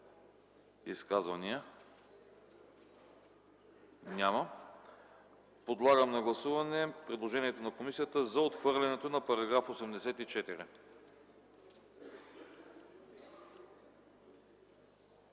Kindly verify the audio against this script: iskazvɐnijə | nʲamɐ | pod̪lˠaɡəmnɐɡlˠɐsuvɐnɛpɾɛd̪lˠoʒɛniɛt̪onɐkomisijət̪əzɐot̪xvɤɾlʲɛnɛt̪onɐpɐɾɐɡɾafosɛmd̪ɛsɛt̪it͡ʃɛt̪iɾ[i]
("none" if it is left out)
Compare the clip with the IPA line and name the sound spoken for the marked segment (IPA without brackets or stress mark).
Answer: i